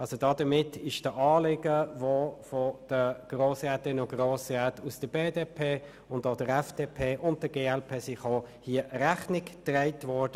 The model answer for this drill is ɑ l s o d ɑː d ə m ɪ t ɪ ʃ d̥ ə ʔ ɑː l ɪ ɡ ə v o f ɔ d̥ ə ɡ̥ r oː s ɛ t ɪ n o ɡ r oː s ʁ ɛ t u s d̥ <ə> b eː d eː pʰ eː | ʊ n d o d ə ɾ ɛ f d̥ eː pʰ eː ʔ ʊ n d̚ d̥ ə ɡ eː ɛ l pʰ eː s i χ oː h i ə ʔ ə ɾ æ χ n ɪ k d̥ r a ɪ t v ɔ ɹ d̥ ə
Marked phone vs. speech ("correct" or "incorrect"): correct